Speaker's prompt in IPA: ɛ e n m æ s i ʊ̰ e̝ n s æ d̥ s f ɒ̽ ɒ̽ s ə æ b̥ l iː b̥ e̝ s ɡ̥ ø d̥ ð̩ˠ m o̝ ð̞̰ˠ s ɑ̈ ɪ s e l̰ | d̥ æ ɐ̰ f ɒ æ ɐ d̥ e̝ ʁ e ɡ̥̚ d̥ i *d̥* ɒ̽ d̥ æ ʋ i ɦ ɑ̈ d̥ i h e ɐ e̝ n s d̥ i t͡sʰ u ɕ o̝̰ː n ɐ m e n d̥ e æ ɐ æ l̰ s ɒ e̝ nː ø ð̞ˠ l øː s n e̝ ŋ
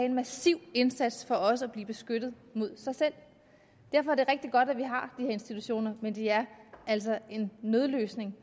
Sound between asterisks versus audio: incorrect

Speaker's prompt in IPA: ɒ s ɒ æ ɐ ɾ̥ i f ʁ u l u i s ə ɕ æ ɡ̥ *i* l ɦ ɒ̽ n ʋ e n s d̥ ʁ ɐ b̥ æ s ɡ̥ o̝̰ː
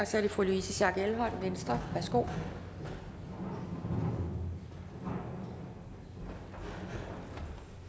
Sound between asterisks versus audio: incorrect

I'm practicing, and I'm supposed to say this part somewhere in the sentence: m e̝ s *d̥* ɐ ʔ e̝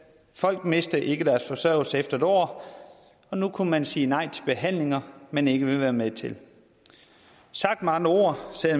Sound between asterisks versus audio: correct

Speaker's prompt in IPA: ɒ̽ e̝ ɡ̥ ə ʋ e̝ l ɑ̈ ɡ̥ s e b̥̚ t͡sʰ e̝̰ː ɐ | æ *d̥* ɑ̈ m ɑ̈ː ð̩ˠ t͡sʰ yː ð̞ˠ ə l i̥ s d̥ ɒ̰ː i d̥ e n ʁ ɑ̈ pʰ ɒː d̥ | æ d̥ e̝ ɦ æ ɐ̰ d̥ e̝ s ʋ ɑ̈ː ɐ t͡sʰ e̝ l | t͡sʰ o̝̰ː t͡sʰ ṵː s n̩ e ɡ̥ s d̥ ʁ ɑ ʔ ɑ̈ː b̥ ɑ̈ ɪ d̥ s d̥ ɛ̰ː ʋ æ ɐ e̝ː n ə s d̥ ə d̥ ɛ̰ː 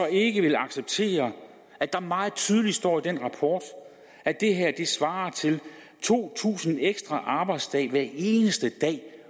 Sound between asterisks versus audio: correct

